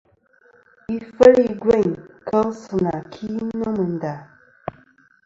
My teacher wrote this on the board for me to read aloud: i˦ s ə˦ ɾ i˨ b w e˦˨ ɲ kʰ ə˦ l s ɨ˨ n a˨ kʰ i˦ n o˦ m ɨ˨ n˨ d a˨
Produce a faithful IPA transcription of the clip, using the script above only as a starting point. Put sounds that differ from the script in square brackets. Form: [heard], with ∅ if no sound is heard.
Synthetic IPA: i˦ [f] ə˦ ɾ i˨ [ɡ] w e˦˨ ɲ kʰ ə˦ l s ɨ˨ n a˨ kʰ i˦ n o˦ m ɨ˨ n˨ d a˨